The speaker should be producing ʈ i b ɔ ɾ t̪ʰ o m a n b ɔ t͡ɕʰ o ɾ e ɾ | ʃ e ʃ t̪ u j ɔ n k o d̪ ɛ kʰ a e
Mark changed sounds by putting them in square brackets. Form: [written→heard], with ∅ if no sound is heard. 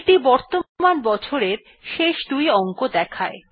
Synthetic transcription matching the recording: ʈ i b ɔ ɾ [t̪ʰ→t̪] o m a n b ɔ t͡ɕʰ o ɾ e ɾ | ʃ e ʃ [t̪→d̪] u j ɔ [n→ŋ] k o d̪ ɛ kʰ a e